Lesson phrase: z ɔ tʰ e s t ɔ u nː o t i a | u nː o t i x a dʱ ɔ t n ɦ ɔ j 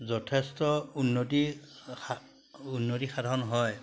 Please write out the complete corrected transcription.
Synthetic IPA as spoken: z ɔ tʰ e s t ɔ u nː o t i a | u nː o t i x a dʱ ɔ n ɦ ɔ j